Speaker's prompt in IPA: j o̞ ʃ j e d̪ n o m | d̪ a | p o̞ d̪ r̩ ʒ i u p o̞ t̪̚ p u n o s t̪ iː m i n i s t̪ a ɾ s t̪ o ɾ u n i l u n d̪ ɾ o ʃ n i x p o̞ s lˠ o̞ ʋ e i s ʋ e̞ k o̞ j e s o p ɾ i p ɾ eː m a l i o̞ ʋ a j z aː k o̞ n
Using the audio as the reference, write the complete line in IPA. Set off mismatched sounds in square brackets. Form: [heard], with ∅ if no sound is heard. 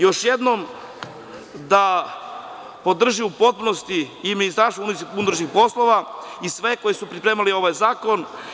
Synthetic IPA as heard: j o̞ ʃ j e d̪ n o m | d̪ a | p o̞ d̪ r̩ ʒ i u p o̞ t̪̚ p u n o s t̪ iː m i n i s t̪ a ɾ s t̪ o [∅] u n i [∅] u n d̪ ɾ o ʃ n i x p o̞ s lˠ o̞ ʋ [a] i s ʋ e̞ k o̞ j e s [u] p ɾ i p ɾ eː m a l i o̞ ʋ a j z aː k o̞ n

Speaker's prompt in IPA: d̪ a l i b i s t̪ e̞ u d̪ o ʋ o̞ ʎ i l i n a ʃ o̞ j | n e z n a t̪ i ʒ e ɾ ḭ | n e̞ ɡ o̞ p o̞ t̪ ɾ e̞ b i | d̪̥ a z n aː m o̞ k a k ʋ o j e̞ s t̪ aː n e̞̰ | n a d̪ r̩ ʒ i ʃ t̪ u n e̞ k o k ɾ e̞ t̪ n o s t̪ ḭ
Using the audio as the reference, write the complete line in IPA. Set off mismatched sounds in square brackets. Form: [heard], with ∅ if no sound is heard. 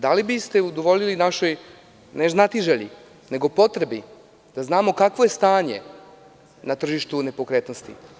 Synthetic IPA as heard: d̪ a l i b i s t̪ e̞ u d̪ o ʋ o̞ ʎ i l i n a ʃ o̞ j | n e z n a t̪ i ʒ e [ʎ] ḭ | n e̞ ɡ o̞ p o̞ t̪ ɾ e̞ b i | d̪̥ a z n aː m o̞ k a k ʋ o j e̞ s t̪ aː [ɲ] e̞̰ | n a [t̪] r̩ ʒ i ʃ t̪ u n e̞ [p] o k ɾ e̞ t̪ n o s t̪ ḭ

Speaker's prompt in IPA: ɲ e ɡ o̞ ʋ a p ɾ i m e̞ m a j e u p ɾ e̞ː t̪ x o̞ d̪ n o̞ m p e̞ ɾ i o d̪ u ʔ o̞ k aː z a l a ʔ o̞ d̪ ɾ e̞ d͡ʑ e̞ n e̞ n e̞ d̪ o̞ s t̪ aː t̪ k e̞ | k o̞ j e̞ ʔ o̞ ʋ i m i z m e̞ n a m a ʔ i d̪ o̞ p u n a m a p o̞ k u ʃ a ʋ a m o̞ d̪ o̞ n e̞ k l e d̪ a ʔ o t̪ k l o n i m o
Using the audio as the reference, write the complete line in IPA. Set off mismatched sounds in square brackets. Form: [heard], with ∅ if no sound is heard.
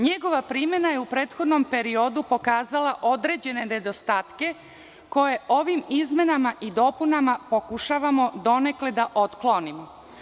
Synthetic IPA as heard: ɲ e ɡ o̞ ʋ a p ɾ i m e̞ [n] a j e u p ɾ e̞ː t̪ x o̞ d̪ n o̞ m p e̞ ɾ i o d̪ u [p] o̞ k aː z a l a ʔ o̞ d̪ ɾ e̞ d͡ʑ e̞ n e̞ n e̞ d̪ o̞ s t̪ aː t̪ k e̞ | k o̞ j e̞ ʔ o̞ ʋ i m i z m e̞ n a m a ʔ i d̪ o̞ p u n a m a p o̞ k u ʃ a ʋ a m o̞ d̪ o̞ n e̞ k l e d̪ a ʔ o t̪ k l o n i m o

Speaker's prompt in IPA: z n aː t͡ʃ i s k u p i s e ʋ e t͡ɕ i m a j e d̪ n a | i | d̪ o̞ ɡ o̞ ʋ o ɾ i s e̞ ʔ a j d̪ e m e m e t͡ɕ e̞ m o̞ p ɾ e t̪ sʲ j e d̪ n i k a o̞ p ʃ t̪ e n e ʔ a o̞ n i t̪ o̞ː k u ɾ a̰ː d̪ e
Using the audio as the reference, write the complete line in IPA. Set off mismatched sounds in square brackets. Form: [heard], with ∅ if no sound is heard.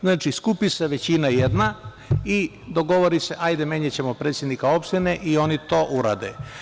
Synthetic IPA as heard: z n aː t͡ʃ i s k u p i s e ʋ e t͡ɕ i [n] a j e d̪ n a | i | d̪ o̞ ɡ o̞ ʋ o ɾ i s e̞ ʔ a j d̪ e m e [ɲ] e t͡ɕ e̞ m o̞ p ɾ e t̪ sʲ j e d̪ n i k a o̞ p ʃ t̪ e n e ʔ [i] o̞ n i t̪ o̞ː [ʔ] u ɾ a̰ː d̪ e

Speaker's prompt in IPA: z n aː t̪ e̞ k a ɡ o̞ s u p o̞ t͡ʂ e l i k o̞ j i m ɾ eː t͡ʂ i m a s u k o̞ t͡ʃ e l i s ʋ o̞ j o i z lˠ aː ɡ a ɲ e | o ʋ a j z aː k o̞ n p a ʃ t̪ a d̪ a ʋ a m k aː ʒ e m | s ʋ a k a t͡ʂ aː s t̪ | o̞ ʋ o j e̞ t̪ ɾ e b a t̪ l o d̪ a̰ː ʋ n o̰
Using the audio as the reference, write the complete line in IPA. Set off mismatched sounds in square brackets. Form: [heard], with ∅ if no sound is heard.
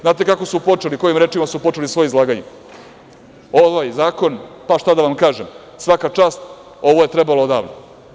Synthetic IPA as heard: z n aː t̪ e̞ k a [k] o̞ s u p o̞ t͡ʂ e l i k o̞ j i m ɾ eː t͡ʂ i m a s u [p] o̞ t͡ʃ e l i s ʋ o̞ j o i z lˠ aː ɡ a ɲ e | o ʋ a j z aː k o̞ n p a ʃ t̪ a d̪ a ʋ a m k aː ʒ e m | s ʋ a k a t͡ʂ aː s t̪ | o̞ ʋ o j e̞ t̪ ɾ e b a [∅] l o d̪ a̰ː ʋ n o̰

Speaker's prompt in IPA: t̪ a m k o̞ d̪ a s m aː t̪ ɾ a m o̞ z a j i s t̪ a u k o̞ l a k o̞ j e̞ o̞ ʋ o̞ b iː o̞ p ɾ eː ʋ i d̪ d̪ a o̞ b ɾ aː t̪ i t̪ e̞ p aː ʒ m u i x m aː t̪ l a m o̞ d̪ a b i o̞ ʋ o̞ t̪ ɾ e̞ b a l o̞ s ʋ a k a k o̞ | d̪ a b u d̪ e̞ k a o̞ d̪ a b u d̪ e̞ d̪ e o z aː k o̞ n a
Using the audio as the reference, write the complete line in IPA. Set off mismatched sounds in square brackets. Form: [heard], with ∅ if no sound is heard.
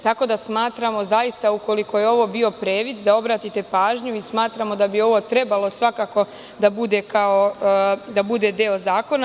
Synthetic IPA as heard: t̪ a [∅] k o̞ d̪ a s m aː t̪ ɾ a m o̞ z a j i s t̪ a u k o̞ l [i] k o̞ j e̞ o̞ ʋ o̞ b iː o̞ p ɾ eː ʋ i d̪ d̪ a o̞ b ɾ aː t̪ i t̪ e̞ p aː ʒ [ɲ] u i [s] m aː t̪ [ɾ] a m o̞ d̪ a b i o̞ ʋ o̞ t̪ ɾ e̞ b a l o̞ s ʋ a k a k o̞ | d̪ a b u d̪ e̞ k a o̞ d̪ a b u d̪ e̞ d̪ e o z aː k o̞ n a

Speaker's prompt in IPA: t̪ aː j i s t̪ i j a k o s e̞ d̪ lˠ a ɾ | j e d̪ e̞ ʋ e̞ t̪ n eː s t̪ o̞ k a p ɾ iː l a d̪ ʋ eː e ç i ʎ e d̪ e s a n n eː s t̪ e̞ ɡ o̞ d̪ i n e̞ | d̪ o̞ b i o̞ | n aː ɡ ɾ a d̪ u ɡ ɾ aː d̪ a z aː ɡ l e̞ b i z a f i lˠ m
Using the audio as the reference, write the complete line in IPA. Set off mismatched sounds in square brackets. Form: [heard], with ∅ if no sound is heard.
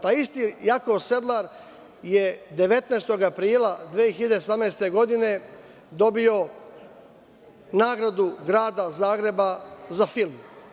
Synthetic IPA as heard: t̪ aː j i s t̪ i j a k o s e̞ d̪ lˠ a ɾ | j e d̪ e̞ ʋ e̞ t̪ n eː s t̪ o̞ [ɡ] a p ɾ iː l a d̪ ʋ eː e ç i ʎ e d̪ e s a [m] n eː s t̪ e̞ ɡ o̞ d̪ i n e̞ | d̪ o̞ b i o̞ | n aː ɡ ɾ a d̪ u ɡ ɾ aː d̪ a z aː ɡ [ɾ] e̞ b [a] z a f i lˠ m

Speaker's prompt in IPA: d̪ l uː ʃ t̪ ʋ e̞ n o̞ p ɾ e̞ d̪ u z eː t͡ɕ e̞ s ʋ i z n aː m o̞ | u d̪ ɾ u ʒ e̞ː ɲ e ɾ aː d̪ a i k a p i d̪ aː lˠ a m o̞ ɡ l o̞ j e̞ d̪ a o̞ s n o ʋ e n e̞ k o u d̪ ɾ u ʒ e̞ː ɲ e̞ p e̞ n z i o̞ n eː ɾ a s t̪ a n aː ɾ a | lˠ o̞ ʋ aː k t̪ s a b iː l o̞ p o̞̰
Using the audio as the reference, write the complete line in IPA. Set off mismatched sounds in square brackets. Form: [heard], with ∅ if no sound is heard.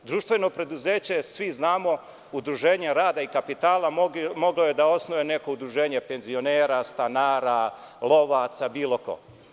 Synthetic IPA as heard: d̪ [ɾ] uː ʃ t̪ ʋ e̞ n o̞ p ɾ e̞ d̪ u z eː t͡ɕ e̞ s ʋ i z n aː m o̞ | u d̪ ɾ u ʒ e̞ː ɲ e ɾ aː d̪ a i k a p i [t̪] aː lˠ a m o̞ ɡ l o̞ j e̞ d̪ a o̞ s n o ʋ e n e̞ k o u d̪ ɾ u ʒ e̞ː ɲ e̞ p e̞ n z i o̞ n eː ɾ a s t̪ a n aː ɾ a | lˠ o̞ ʋ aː [∅] t̪ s a b iː l o̞ [k] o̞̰

